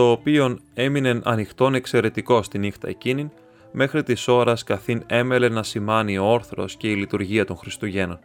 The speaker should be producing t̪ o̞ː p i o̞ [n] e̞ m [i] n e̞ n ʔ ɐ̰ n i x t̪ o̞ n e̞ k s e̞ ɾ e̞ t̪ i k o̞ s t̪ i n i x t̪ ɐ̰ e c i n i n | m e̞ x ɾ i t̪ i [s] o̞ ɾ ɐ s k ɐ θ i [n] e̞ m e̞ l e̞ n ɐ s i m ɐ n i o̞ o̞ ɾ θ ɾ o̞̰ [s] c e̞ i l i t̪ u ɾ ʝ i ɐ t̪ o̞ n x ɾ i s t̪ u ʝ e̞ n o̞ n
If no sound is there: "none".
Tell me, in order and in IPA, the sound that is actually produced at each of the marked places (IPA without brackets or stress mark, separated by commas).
n, i, s, n, s